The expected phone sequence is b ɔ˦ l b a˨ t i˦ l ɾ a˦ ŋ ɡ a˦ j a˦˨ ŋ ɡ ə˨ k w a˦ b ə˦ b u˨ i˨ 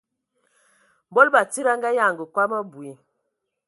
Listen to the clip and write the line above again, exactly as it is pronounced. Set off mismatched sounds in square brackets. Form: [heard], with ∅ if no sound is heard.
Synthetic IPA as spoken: b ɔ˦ l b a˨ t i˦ [∅] ɾ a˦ ŋ ɡ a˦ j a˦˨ ŋ ɡ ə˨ k w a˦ [m] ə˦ b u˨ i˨